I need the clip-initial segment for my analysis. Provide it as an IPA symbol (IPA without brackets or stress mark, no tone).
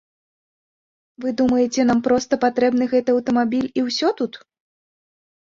v